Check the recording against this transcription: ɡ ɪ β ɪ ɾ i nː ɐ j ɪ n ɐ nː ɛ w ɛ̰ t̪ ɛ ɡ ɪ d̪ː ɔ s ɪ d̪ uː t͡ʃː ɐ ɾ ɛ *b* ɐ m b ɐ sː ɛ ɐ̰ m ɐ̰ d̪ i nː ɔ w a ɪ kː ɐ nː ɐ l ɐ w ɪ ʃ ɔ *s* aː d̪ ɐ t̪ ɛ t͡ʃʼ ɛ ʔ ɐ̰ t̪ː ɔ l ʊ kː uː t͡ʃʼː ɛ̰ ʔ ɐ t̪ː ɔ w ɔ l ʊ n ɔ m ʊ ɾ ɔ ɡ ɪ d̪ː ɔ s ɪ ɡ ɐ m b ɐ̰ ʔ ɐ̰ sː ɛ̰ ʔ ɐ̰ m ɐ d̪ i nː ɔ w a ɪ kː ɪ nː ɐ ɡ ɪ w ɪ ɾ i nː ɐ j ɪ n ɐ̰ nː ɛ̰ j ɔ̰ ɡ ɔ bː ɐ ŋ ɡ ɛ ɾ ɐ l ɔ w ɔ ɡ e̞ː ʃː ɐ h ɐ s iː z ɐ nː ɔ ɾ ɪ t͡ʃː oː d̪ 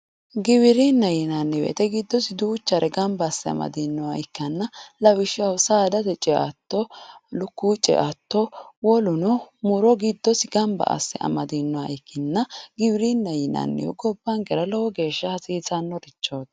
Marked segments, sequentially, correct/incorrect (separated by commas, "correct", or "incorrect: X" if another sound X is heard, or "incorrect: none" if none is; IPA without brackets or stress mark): incorrect: ɡ, correct